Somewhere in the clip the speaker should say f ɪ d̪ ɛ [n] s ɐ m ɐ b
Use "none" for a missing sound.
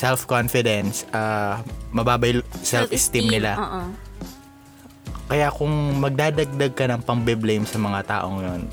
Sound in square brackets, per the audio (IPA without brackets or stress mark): n